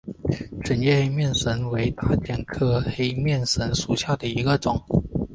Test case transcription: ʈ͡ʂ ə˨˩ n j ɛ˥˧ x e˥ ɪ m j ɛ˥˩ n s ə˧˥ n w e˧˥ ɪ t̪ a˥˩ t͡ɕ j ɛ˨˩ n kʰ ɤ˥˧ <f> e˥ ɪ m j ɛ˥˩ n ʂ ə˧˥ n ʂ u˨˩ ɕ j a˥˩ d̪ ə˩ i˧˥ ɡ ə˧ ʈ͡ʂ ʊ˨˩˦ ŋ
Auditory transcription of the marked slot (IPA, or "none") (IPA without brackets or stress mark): x